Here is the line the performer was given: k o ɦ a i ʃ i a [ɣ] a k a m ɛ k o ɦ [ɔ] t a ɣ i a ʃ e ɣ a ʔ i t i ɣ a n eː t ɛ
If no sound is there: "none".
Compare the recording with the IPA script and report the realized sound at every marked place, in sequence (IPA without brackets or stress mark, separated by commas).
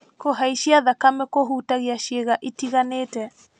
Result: ð, u